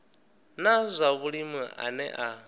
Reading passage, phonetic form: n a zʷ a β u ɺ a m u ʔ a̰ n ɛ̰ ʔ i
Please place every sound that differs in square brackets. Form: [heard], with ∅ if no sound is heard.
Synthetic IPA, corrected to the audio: n a zʷ a β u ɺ [i] m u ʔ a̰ n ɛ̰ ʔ [a]